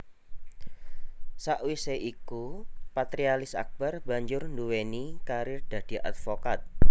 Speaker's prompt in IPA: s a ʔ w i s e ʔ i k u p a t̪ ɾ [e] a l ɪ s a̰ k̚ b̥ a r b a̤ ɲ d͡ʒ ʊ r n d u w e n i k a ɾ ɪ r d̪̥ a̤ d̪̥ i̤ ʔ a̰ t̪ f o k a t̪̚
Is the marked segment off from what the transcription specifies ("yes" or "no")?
yes